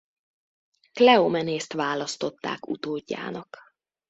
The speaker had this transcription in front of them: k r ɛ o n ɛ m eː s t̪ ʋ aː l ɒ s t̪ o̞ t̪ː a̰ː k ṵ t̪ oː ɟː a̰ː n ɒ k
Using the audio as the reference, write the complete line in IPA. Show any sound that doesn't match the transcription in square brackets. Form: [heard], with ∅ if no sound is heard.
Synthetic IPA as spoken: k [l] ɛ o [m] ɛ [n] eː s t̪ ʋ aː l ɒ s t̪ o̞ t̪ː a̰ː k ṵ t̪ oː ɟː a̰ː n ɒ k